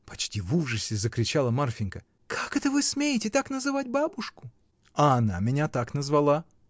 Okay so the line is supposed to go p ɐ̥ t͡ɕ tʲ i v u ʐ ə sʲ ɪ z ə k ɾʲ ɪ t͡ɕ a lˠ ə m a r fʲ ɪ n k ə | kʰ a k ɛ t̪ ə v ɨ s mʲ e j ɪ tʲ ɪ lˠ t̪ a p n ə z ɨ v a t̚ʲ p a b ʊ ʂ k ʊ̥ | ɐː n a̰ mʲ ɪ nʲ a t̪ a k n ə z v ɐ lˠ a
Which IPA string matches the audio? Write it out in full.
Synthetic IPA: p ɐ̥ t͡ɕ tʲ i v u ʐ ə sʲ ɪ z ə k ɾʲ ɪ t͡ɕ a lˠ ə m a r fʲ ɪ n k ə | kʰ a k ɛ t̪ ə v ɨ s mʲ e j ɪ tʲ ɪ t̪ a k n ə z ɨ v a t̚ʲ b a b ʊ ʂ k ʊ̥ | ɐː n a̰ mʲ ɪ nʲ a t̪ a k n ə z v ɐ lˠ a